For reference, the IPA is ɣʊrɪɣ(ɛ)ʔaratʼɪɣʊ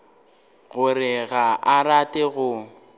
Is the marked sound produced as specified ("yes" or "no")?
no